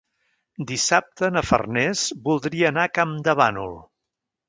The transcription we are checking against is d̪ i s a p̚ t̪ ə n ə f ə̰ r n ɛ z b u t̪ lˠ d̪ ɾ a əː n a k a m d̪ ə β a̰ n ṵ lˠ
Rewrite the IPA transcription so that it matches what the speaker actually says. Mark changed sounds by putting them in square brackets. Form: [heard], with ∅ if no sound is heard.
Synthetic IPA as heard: d̪ i s a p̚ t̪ ə n ə f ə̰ r n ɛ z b u [∅] lˠ d̪ ɾ [i] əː n a k a m d̪ ə β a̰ n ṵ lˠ